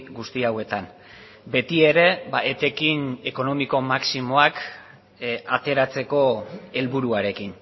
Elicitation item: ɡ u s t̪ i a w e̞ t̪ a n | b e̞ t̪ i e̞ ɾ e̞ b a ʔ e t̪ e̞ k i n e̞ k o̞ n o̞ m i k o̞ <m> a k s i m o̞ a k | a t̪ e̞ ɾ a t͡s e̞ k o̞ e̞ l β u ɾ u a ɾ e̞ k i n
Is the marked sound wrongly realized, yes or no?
no